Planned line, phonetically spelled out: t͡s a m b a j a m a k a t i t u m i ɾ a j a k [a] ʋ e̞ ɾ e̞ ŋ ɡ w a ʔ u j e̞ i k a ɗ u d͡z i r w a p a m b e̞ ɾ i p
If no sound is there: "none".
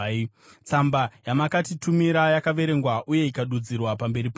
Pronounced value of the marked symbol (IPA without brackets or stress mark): a